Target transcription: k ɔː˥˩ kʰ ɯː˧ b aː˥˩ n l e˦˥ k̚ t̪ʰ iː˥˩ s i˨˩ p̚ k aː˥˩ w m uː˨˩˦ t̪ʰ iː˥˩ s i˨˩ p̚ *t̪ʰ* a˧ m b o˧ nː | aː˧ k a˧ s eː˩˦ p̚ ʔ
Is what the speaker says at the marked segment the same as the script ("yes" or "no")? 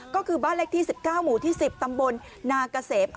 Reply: no